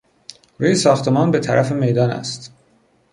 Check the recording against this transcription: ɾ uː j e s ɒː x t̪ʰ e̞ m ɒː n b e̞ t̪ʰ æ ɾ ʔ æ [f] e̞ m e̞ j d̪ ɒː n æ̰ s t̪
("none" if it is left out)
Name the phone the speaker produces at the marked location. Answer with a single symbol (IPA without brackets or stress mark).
f